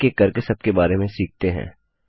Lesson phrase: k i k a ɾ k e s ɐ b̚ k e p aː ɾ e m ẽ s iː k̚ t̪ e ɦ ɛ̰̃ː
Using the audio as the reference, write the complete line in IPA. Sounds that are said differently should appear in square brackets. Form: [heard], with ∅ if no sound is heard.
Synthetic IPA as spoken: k [e] k [ɐ] ɾ k e s ɐ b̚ k e [b] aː ɾ e m ẽ s iː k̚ t̪ e ɦ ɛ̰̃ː